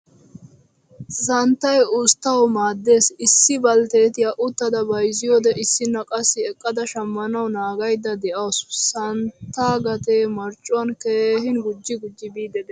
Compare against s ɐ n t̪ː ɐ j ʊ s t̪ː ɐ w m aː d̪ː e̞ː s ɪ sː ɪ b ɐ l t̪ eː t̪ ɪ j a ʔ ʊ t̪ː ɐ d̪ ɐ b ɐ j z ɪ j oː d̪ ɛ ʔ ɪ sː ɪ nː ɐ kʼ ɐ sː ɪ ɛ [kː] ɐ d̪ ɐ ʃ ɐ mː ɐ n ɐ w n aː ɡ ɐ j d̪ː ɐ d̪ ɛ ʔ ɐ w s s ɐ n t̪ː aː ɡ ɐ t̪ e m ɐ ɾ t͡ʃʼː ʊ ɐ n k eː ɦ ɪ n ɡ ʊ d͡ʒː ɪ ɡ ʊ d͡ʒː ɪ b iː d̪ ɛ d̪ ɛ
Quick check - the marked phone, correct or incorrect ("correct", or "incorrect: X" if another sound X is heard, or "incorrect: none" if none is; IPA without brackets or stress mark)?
incorrect: kʼː